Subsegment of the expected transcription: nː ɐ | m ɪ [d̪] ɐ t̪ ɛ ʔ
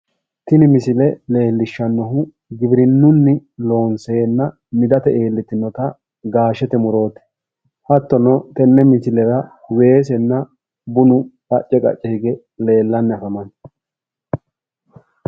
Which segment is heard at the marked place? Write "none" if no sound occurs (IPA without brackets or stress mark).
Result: d̪